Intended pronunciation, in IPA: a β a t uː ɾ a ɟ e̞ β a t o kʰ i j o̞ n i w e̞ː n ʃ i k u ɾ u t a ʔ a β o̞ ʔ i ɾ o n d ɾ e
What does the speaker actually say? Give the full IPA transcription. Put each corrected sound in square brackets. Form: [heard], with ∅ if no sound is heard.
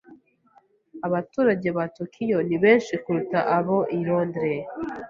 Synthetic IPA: a β a t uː ɾ a ɟ e̞ β a t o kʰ i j o̞ n i [β] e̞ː n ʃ i k u ɾ u t a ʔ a β o̞ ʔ i ɾ o n d ɾ e